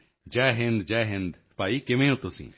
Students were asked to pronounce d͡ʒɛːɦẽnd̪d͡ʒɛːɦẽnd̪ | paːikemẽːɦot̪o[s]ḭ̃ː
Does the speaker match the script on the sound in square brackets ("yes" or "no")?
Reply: yes